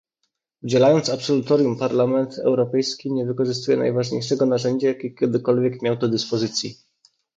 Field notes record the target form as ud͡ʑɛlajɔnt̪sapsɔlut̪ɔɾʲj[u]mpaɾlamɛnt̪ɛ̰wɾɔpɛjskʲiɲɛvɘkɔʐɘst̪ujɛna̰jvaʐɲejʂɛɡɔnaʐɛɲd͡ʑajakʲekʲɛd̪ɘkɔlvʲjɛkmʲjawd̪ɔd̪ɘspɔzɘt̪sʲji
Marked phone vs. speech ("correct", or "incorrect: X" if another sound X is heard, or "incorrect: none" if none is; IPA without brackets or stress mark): correct